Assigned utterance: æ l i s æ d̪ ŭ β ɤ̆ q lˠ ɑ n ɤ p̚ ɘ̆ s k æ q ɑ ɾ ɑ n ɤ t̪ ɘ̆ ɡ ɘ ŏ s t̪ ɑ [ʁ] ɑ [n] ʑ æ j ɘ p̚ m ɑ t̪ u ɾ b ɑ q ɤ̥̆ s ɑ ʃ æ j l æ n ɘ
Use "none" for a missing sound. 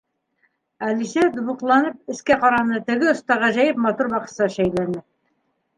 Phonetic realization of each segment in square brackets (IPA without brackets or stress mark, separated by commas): ʁ, none